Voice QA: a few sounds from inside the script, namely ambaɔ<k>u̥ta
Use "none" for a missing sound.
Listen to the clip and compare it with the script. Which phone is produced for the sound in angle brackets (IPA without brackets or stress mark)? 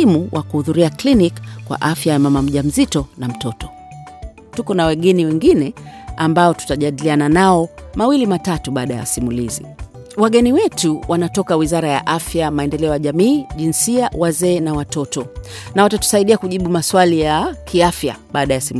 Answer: t